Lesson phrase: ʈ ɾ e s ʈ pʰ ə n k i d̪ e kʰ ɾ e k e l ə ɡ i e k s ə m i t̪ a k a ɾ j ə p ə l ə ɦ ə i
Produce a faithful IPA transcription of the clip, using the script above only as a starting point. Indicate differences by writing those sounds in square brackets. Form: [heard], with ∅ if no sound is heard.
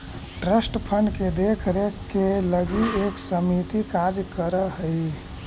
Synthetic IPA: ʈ ɾ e s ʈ pʰ ə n k [e] d̪ e kʰ ɾ e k e l ə ɡ i e k s ə m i t̪ [i] k a ɾ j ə [k] ə [ɾ] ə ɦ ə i